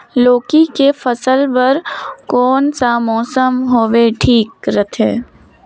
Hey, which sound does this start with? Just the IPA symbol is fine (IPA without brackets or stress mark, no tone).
l